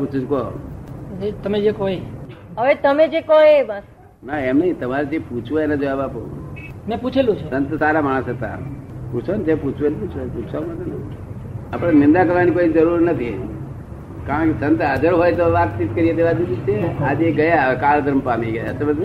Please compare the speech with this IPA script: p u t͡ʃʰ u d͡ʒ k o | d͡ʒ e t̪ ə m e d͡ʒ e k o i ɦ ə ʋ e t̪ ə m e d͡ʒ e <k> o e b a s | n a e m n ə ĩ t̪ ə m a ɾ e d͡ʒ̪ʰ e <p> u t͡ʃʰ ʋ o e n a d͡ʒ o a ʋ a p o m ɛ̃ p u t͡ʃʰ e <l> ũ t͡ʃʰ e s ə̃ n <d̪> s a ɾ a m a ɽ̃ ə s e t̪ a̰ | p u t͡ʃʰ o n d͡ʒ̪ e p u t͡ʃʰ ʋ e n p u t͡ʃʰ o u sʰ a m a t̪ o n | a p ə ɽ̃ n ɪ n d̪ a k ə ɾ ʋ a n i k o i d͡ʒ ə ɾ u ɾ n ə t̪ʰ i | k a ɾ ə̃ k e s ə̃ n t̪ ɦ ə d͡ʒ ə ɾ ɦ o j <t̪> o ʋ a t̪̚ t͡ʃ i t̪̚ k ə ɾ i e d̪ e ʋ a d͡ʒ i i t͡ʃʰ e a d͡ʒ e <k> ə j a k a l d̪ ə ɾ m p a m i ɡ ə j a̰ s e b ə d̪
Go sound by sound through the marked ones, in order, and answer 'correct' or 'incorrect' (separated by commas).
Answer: correct, correct, correct, incorrect, correct, incorrect